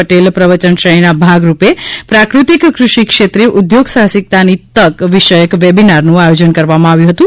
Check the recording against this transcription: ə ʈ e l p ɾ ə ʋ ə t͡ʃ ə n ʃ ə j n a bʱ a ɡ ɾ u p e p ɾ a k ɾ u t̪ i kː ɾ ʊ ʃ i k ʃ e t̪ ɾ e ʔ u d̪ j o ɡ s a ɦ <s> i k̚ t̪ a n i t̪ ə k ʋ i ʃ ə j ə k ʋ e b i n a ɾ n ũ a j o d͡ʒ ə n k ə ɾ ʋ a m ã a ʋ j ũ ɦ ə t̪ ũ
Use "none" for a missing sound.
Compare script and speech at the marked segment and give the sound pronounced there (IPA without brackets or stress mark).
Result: s